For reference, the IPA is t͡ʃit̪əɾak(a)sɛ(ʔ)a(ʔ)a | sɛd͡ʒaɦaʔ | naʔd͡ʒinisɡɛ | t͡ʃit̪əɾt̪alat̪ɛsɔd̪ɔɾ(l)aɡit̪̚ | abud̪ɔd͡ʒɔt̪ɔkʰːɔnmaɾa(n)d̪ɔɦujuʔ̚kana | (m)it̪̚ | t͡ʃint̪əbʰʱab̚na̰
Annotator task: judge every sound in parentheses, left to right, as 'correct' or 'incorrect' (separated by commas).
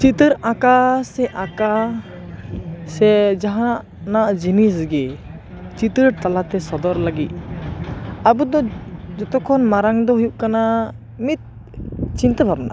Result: correct, correct, incorrect, correct, incorrect, correct